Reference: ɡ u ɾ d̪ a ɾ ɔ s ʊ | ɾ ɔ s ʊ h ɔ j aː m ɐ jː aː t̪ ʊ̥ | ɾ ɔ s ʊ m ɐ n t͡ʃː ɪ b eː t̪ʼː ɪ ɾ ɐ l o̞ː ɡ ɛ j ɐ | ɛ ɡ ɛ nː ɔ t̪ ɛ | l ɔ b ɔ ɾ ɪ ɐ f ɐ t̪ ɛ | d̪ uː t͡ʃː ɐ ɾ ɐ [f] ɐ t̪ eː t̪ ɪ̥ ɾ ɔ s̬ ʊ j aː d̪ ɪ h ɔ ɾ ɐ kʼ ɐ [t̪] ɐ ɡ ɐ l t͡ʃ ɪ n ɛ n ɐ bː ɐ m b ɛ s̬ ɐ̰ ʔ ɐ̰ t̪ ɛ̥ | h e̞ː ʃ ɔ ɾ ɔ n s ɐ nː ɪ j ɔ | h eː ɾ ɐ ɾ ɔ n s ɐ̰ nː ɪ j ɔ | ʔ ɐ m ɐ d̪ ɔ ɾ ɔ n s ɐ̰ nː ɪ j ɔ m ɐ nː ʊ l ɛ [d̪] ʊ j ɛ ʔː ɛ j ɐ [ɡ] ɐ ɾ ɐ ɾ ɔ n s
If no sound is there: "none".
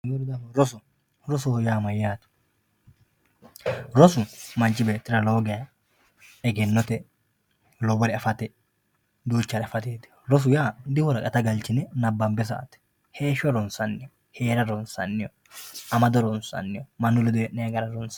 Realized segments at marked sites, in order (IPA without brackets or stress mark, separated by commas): f, t̪, d̪, ɡ